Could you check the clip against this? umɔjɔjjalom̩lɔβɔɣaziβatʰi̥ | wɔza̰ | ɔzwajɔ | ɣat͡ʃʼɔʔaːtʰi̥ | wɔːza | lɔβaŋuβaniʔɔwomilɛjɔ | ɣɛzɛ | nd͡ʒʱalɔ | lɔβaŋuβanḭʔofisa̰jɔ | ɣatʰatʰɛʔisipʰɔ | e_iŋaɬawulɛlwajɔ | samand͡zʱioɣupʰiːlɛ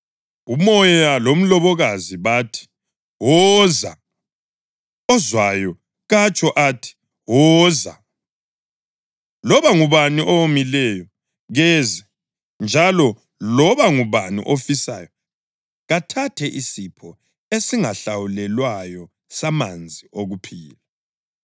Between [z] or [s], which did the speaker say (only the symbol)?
s